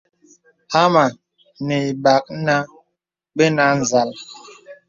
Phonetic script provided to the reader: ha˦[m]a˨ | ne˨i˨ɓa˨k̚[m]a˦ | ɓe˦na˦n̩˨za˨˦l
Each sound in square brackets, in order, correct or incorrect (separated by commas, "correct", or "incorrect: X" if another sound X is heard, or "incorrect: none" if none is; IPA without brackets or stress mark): correct, incorrect: n